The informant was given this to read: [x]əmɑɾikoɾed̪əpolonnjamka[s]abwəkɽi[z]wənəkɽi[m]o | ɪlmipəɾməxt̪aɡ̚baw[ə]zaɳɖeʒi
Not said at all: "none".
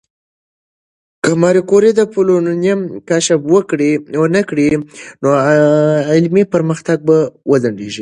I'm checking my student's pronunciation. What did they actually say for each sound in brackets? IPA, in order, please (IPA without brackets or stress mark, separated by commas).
k, ʃ, none, n, ə